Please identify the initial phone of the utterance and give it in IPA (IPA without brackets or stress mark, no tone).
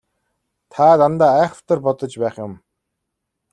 t̪ʰ